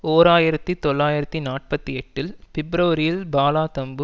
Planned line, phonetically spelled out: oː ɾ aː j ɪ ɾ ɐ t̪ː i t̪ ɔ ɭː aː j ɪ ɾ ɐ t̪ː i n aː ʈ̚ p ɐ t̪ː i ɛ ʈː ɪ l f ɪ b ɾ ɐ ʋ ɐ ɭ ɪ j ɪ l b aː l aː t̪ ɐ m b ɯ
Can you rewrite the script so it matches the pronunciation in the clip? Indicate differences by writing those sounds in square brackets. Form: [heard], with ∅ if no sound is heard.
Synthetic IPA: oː ɾ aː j ɪ ɾ ɐ t̪ː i t̪ ɔ ɭː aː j ɪ ɾ ɐ t̪ː i n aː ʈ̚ p ɐ t̪ː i ɛ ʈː ɪ l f ɪ b ɾ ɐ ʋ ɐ [ɾ] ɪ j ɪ l b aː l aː t̪ ɐ m b ɯ